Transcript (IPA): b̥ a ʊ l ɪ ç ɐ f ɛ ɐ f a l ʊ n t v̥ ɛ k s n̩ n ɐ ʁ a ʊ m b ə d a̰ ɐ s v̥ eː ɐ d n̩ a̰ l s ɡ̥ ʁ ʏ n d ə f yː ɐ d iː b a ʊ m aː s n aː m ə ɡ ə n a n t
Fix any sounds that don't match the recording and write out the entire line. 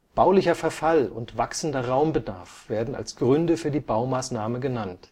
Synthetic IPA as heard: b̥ a ʊ l ɪ ç ɐ f ɛ ɐ f a l ʊ n t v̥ a k s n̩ d ɐ ʁ a ʊ m b ə d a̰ ɐ f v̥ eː ɐ d n̩ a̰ l s ɡ̥ ʁ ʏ n d ə f yː ɐ d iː b a ʊ m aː s n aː m ə ɡ ə n a n t